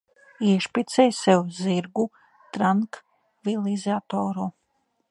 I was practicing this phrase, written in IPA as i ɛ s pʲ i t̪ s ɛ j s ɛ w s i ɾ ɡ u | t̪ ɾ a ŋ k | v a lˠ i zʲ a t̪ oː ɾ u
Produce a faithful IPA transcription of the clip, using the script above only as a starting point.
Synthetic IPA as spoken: i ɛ ʃ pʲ i t̪ s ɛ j s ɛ w z i ɾ ɡ u | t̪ ɾ a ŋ k | v i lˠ i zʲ a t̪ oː ɾ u